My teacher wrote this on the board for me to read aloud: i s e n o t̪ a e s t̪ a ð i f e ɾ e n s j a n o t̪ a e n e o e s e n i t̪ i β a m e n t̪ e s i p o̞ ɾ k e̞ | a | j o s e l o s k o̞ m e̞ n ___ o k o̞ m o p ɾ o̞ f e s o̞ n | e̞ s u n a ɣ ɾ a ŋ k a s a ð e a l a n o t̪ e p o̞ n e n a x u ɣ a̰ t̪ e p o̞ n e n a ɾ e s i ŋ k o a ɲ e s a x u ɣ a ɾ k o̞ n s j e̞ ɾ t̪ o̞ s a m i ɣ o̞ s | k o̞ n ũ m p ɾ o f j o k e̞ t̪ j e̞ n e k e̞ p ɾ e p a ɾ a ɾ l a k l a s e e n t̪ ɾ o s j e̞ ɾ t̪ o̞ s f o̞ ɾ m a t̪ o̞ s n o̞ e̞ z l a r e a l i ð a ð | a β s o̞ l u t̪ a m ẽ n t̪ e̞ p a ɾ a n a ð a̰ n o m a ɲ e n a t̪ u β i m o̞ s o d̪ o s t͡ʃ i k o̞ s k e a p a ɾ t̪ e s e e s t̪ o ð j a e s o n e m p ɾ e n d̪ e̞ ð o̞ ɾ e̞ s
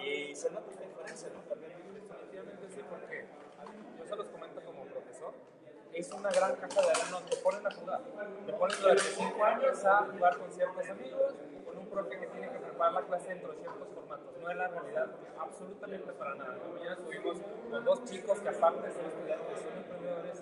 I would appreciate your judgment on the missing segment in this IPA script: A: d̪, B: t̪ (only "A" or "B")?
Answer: B